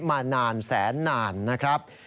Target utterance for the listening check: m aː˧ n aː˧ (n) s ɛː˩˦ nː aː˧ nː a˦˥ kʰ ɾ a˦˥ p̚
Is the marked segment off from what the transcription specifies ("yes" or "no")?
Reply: no